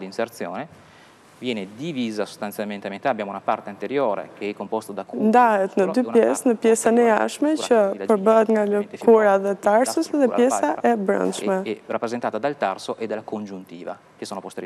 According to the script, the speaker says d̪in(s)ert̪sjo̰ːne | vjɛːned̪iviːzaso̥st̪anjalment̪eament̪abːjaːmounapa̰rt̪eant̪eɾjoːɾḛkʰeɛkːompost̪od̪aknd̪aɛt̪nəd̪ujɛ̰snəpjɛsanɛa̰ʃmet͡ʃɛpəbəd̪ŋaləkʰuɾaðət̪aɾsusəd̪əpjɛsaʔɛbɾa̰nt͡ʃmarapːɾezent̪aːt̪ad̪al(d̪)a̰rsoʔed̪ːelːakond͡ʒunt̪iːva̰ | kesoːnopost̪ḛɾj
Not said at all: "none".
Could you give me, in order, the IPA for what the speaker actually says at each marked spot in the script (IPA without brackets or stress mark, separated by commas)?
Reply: s, t̪